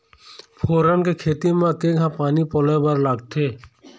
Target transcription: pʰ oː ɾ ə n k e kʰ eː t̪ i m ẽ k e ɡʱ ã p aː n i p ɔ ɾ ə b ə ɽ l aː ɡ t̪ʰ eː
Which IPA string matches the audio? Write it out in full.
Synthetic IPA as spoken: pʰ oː ɾ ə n k e kʰ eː t̪ i m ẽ k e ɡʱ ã p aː n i p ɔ l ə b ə ɾ l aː ɡ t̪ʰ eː